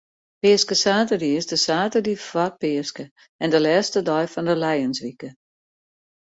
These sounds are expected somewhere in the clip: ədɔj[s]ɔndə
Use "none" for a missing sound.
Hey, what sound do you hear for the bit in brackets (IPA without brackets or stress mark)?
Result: f